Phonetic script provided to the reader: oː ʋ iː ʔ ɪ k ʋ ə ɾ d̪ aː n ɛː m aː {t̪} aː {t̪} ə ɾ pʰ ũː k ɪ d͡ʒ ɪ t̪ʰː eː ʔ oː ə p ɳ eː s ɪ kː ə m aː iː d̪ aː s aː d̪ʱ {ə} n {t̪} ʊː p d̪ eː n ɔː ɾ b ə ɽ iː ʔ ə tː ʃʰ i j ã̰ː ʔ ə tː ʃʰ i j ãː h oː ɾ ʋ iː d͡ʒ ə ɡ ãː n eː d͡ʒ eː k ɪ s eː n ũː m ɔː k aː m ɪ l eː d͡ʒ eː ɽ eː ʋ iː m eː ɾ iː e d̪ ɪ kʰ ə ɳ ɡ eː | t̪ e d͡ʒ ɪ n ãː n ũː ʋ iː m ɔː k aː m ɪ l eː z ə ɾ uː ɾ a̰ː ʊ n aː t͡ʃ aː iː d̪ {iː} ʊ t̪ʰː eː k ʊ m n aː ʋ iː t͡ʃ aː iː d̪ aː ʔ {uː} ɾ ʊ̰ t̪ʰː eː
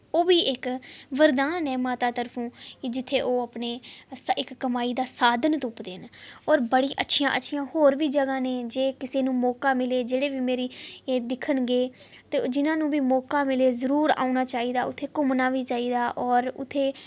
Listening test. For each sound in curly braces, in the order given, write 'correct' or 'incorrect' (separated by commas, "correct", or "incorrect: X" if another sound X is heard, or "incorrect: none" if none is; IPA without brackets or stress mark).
correct, correct, correct, correct, incorrect: aː, incorrect: ɔː